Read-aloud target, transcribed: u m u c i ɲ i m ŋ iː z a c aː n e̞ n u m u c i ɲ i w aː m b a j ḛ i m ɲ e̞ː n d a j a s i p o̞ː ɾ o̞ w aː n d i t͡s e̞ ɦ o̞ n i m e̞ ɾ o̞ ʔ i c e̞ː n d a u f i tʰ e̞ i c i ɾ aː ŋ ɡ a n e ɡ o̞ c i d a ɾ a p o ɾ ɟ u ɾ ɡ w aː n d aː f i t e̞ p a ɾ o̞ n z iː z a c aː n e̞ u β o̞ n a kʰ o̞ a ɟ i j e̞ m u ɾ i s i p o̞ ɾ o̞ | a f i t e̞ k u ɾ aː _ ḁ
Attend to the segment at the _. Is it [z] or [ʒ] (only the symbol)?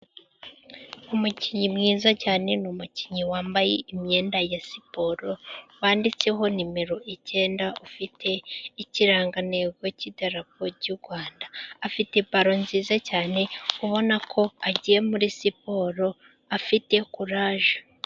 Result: ʒ